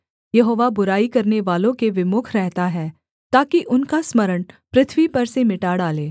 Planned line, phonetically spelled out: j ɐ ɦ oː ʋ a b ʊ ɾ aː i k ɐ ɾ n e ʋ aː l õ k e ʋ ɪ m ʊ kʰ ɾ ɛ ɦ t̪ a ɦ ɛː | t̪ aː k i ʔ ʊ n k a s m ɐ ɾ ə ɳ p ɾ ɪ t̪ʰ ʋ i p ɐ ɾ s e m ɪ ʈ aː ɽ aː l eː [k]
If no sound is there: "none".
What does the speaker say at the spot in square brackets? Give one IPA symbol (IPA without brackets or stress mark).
none